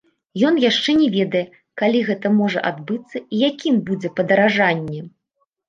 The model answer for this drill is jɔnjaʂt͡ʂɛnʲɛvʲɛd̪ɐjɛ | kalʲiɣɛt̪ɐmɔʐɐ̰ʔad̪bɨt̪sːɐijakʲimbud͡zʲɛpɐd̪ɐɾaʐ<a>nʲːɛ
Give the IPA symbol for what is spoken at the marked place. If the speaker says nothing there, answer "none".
a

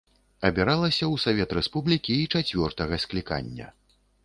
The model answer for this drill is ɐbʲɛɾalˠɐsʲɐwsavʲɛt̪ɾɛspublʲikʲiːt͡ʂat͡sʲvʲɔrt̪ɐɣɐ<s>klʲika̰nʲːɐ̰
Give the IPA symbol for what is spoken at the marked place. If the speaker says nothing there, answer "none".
s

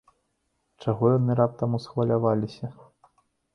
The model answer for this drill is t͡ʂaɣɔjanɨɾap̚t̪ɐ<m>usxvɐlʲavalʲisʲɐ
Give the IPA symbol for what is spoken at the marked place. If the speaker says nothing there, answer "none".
m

